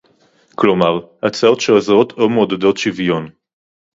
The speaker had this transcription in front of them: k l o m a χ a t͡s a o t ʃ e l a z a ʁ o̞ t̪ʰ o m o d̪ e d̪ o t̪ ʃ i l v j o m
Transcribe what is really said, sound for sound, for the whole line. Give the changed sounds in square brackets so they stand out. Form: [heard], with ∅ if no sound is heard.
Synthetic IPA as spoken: k l o m a [ʁ] a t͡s a o t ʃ e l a z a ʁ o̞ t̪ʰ o m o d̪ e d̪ o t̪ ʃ i [∅] v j o [n]